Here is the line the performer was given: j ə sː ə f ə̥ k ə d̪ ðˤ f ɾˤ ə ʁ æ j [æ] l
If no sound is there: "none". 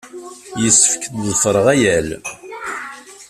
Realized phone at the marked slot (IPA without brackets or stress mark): æ